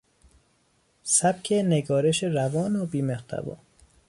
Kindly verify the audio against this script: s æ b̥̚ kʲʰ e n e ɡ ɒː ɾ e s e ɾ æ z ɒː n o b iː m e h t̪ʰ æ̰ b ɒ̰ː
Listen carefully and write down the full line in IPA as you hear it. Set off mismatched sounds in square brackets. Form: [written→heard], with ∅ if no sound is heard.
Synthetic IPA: s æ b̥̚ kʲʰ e n e ɡ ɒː ɾ e [s→ʃ] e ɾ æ [z→v] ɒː n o b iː m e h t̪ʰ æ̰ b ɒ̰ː